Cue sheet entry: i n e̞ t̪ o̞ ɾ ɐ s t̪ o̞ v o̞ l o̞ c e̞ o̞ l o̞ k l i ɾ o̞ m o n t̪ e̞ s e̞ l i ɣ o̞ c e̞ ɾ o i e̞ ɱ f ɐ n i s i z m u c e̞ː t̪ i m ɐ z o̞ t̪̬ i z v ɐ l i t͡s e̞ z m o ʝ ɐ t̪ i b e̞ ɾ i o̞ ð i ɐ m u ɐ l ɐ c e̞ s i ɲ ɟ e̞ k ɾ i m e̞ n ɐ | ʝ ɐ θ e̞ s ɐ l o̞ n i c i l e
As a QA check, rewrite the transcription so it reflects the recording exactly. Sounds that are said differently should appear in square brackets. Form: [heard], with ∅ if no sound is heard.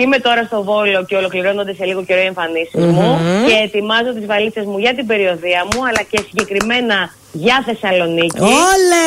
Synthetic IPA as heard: i [m] e̞ t̪ o̞ ɾ ɐ s t̪ o̞ v o̞ l o̞ c e̞ o̞ l o̞ k l i ɾ o̞ [n] o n [d̪] e̞ s e̞ l i ɣ o̞ c e̞ ɾ o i e̞ ɱ f ɐ n i s i z m u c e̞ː t̪ i m ɐ z o̞ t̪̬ i z v ɐ l i t͡s e̞ z m [u] ʝ ɐ t̪ i b e̞ ɾ i o̞ ð i ɐ m u ɐ l ɐ c e̞ s i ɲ ɟ e̞ k ɾ i m e̞ n ɐ | ʝ ɐ θ e̞ s ɐ l o̞ n i c i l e